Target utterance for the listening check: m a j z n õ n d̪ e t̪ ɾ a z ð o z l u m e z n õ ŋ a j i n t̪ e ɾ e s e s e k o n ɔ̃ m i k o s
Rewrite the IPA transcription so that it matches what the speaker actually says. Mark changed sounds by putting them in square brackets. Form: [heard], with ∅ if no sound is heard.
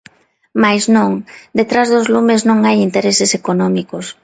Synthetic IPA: m a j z n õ [ŋ] d̪ e t̪ ɾ a z ð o z l u m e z n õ ŋ a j i n t̪ e ɾ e s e s e k o n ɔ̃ m i k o s